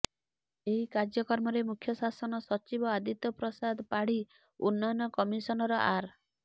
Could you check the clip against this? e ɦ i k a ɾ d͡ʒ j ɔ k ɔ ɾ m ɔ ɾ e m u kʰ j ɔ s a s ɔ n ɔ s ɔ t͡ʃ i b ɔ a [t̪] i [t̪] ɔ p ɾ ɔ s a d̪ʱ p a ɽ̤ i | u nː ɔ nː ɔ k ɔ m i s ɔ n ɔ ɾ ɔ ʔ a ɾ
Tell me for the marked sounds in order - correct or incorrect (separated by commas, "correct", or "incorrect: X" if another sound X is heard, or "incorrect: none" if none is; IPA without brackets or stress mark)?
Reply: incorrect: d̪, correct